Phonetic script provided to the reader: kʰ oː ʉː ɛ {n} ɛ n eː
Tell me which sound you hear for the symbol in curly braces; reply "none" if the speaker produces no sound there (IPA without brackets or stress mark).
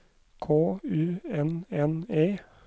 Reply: n